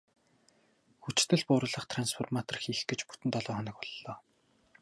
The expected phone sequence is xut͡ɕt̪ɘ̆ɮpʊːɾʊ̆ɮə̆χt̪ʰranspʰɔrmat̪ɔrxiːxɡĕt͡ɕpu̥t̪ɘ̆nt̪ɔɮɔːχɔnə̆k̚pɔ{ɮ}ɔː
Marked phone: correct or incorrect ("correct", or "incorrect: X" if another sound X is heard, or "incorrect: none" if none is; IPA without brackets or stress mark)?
incorrect: ɮː